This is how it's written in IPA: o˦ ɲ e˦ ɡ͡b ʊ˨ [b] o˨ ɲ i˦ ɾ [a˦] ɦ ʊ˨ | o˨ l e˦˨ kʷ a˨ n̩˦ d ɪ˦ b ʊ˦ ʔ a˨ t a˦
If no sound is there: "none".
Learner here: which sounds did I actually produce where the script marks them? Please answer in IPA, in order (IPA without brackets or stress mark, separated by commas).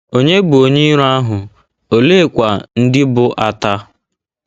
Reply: none, a˦